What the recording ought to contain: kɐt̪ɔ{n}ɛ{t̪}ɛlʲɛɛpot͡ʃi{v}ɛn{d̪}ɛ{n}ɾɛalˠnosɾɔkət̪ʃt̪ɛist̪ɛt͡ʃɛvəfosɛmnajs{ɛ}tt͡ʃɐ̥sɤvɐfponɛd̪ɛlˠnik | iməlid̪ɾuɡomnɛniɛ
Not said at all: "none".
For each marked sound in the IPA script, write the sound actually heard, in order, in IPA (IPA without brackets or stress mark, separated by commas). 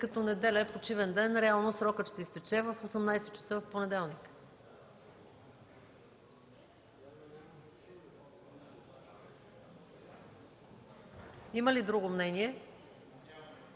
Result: n, d̪, v, d̪, n, ɛ